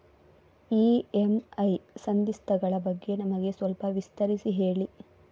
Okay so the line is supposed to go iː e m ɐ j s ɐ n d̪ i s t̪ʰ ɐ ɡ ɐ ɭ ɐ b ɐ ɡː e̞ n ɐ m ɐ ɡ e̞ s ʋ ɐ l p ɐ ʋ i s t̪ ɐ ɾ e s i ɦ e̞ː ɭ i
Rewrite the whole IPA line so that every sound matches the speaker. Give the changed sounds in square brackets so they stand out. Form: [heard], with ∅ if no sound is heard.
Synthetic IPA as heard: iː e m ɐ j s ɐ n d̪ i s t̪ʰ ɐ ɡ ɐ ɭ ɐ b ɐ ɡː e̞ n ɐ m ɐ ɡ e̞ s ʋ ɐ l p ɐ ʋ i s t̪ ɐ ɾ [i] s i ɦ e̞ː ɭ i